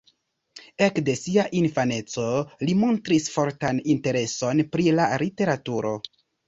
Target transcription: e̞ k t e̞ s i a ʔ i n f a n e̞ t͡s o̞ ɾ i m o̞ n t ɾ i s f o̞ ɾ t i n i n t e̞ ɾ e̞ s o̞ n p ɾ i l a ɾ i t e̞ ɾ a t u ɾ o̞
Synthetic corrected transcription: e̞ k d e̞ s i a ʔ i n f a n e̞ t͡s o̞ l i m o̞ n t ɾ i s f o̞ ɾ t a n i n t e̞ ɾ e̞ s o̞ n p ɾ i l a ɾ i t e̞ ɾ a t u ɾ o̞

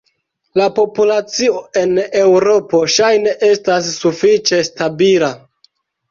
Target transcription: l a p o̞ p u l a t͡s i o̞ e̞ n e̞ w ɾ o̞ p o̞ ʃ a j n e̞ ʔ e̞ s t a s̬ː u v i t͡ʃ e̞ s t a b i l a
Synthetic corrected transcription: l a p o̞ p u l a t͡s i o̞ e̞ n e̞ w ɾ o̞ p o̞ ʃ a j n e̞ ʔ e̞ s t a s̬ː u f i t͡ʃ e̞ s t a b i l a

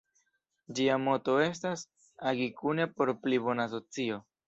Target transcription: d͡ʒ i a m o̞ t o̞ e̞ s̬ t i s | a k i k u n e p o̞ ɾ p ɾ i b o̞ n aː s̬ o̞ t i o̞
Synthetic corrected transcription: d͡ʒ i a m o̞ t o̞ e̞ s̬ t a s | a ɡ i k u n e p o̞ ɾ p l i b o̞ n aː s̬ o̞ t͡s i o̞

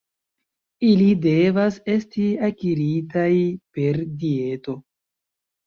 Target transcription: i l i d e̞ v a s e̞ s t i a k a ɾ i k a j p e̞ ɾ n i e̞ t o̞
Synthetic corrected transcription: i l i d e̞ v a s e̞ s t i a k i ɾ i t a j p e̞ ɾ d i e̞ t o̞

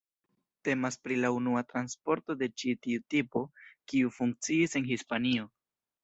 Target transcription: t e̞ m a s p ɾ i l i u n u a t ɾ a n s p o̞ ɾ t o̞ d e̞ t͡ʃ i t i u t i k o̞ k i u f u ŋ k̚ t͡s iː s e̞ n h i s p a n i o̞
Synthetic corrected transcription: t e̞ m a s p ɾ i l a u n u a t ɾ a n s p o̞ ɾ t o̞ d e̞ t͡ʃ i t i u t i p o̞ k i u f u ŋ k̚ t͡s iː s e̞ n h i s p a n i o̞

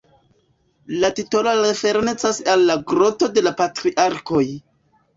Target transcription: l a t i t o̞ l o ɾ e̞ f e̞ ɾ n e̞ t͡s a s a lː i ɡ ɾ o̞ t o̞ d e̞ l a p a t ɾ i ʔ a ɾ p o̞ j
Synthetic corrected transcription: l a t i t o̞ l o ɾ e̞ f e̞ ɾ n e̞ t͡s a s a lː a ɡ ɾ o̞ t o̞ d e̞ l a p a t ɾ i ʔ a ɾ k o̞ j

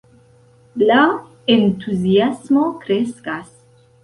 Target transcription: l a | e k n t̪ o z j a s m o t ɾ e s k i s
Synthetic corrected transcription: l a | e n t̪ u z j a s m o k ɾ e s k a s

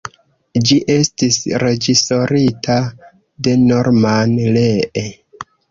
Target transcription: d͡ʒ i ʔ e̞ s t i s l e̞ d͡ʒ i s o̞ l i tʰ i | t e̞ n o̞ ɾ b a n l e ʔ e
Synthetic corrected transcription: d͡ʒ i ʔ e̞ s t i s ɾ e̞ d͡ʒ i s o̞ ɾ i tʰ a | d e̞ n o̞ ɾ m a n l e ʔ e

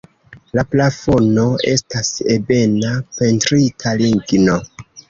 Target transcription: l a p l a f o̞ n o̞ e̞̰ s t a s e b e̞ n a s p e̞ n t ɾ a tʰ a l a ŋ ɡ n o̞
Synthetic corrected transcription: l a p l a f o̞ n o̞ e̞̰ s t a s e b e̞ n a p e̞ n t ɾ i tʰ a l i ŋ ɡ n o̞

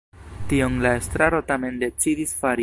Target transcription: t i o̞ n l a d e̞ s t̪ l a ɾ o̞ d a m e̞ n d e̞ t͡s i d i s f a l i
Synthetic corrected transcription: t i o̞ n l a e̞ s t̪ ɾ a ɾ o̞ t a m e̞ n d e̞ t͡s i d i s f a ɾ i

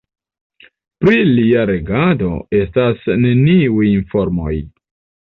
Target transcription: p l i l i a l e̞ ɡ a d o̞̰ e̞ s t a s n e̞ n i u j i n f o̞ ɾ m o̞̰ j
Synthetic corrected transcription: p ɾ i l i a ɾ e̞ ɡ a d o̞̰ e̞ s t a s n e̞ n i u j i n f o̞ ɾ m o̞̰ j

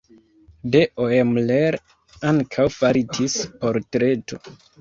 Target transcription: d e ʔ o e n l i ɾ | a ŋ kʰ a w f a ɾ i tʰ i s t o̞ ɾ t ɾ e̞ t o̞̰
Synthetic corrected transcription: d e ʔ o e m l e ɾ | a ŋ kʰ a w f a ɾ i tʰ i s p o̞ ɾ t ɾ e̞ t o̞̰

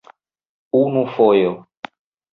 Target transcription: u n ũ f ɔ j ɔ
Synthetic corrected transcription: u n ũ f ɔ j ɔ

